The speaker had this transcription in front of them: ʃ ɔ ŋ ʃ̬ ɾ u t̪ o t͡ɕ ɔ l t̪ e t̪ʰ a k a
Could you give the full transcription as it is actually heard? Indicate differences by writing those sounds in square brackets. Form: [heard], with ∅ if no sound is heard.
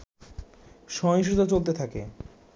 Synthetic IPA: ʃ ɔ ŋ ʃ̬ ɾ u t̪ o t͡ɕ [o] l t̪ e t̪ʰ a k [e]